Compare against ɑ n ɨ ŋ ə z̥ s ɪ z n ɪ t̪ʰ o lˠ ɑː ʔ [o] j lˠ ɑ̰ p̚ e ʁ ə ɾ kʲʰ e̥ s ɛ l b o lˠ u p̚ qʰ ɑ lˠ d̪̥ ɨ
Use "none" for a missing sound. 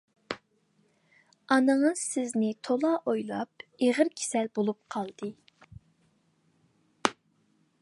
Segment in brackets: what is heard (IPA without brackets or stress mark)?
o